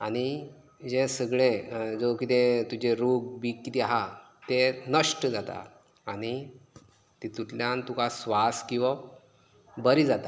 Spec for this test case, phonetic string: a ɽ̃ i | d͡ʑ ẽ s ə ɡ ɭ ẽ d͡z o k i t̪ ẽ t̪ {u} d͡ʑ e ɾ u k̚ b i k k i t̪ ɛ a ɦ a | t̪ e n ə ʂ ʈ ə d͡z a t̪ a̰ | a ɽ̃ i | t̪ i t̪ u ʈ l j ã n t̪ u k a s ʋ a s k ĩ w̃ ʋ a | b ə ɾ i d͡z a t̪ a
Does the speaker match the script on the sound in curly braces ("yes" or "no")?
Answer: yes